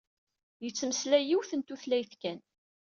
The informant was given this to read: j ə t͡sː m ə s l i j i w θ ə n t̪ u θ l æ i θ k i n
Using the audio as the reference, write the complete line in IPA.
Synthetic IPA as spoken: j ə t͡sː m ə s l æ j i w θ ə n t̪ u θ l æ j θ k æ n